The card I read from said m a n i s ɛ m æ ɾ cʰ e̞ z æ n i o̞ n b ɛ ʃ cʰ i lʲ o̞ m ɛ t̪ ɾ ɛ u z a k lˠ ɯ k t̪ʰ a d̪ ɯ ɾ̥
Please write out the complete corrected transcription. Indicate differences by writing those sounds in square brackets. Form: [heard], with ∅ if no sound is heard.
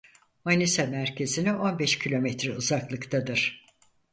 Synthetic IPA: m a n i s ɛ m æ ɾ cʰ e̞ z [i] n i o̞ n b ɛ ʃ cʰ i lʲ o̞ m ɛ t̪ ɾ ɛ u z a k lˠ ɯ k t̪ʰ a d̪ ɯ ɾ̥

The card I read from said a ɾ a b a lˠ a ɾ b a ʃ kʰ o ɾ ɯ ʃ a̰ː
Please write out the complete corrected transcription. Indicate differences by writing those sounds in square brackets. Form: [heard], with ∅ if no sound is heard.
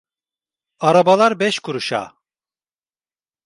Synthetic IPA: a ɾ a b a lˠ a ɾ b [ɛ] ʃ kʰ [u] ɾ [u] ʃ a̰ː

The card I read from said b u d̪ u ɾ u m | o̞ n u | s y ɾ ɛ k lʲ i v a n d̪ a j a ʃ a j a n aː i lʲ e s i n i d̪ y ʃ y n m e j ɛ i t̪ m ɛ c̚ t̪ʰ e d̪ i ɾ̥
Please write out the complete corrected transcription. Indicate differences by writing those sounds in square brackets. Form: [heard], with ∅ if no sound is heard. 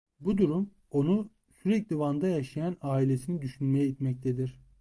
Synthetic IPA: b u d̪ u ɾ u m | o̞ n u | s y ɾ ɛ [c] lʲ i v a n d̪ a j a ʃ a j a n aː i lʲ e s i n i d̪ y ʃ y n m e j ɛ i t̪ m ɛ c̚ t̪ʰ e d̪ i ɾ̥

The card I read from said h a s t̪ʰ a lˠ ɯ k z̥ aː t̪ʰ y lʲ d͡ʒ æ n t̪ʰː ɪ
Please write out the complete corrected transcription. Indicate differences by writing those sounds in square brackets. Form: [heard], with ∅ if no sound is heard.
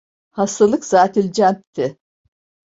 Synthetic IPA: h a s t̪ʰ a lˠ ɯ k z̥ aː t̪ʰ [i] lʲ d͡ʒ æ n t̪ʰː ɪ

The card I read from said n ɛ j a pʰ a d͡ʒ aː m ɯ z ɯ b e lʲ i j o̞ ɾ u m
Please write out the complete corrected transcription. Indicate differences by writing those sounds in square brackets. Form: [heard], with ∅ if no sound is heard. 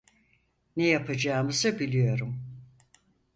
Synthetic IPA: n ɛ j a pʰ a d͡ʒ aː m ɯ z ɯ b [i] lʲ i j o̞ ɾ u m

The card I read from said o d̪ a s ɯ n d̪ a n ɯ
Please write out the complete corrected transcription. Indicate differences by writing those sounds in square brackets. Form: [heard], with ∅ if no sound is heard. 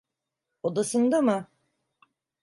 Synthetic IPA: o d̪ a s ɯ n d̪ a [m] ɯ

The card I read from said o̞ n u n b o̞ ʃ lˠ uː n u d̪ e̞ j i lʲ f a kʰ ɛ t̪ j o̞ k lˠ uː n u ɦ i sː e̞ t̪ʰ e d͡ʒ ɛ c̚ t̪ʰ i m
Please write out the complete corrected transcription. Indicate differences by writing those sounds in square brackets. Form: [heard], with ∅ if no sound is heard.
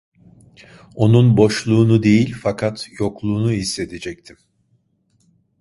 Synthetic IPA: o̞ n u n b o̞ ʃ lˠ uː n u d̪ e̞ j i lʲ f a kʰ [a] t̪ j o̞ k lˠ uː n u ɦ i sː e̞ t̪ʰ e d͡ʒ ɛ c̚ t̪ʰ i m

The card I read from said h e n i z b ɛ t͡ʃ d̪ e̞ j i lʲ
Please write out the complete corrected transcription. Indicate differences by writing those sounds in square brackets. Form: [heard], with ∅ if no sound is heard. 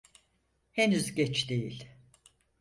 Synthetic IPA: h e n [y] z [ɟ] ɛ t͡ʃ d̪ e̞ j i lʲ

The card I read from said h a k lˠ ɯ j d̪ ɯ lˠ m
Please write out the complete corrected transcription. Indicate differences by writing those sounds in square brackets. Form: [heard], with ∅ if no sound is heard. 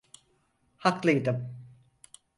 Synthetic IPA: h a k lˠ ɯ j d̪ ɯ [∅] m

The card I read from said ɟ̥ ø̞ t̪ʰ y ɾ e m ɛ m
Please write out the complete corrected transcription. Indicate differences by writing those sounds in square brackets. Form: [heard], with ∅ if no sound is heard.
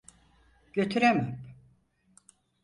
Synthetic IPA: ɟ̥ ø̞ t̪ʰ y ɾ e m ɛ m

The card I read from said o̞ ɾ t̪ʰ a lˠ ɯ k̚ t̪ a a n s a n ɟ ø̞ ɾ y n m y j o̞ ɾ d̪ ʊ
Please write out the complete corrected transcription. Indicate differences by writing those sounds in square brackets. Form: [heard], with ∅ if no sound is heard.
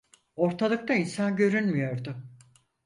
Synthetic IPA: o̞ ɾ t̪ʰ a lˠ ɯ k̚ t̪ a [i] n s a n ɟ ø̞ ɾ y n m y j o̞ ɾ d̪ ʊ

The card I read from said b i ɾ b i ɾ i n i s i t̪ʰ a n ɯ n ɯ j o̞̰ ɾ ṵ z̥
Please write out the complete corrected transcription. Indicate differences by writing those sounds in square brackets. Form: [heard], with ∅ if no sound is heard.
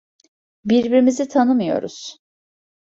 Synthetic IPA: b i ɾ b i ɾ i [m] i [z] i t̪ʰ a n ɯ [m] ɯ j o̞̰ ɾ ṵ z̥

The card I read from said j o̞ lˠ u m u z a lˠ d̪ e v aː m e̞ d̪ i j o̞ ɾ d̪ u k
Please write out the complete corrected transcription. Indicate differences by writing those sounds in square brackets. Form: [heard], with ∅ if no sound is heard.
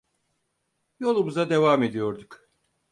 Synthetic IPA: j o̞ lˠ u m u z a [∅] d̪ e v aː m e̞ d̪ i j o̞ ɾ d̪ u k

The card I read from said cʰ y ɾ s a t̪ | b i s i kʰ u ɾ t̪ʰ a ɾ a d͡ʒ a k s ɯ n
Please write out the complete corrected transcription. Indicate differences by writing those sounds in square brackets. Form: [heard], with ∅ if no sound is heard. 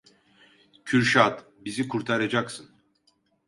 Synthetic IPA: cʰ y ɾ [ʃ] a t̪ | b i [z] i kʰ u ɾ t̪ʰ a ɾ a d͡ʒ a k s ɯ n

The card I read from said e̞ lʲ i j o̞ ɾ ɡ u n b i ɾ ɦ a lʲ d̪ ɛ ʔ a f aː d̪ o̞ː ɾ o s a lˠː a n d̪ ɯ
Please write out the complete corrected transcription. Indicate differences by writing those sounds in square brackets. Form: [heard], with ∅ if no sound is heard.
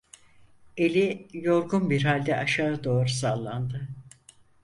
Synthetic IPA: e̞ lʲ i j o̞ ɾ ɡ u n b i ɾ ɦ a lʲ d̪ ɛ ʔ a [ʃ] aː d̪ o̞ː ɾ [u] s a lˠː a n d̪ ɯ

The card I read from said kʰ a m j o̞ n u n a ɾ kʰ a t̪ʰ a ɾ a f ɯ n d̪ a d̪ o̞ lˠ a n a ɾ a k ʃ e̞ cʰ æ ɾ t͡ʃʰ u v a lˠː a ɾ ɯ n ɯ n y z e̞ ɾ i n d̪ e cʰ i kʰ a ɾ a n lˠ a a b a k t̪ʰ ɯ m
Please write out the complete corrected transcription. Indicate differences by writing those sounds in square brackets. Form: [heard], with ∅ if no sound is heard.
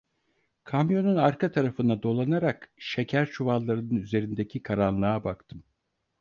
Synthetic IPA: kʰ a m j o̞ n u n a ɾ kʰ a t̪ʰ a ɾ a f ɯ n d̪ a d̪ o̞ lˠ a n a ɾ a k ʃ e̞ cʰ æ ɾ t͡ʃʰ u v a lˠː a ɾ ɯ n ɯ n y z e̞ ɾ i n d̪ e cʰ i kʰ a ɾ a n lˠ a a b a k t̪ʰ ɯ m

